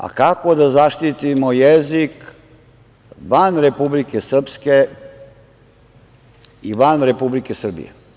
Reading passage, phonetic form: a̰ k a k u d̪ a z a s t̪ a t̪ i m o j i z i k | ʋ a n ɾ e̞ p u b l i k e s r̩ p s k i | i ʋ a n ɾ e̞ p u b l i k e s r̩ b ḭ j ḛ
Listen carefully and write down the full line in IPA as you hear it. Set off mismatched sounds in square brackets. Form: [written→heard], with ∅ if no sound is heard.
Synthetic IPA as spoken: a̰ k a k [u→o] d̪ a z a [s→ʃ] t̪ [a→i] t̪ i m o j [i→e] z i k | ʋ a n ɾ e̞ p u b l i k e s r̩ p s k [i→e] | i ʋ a n ɾ e̞ p u b l i k e s r̩ b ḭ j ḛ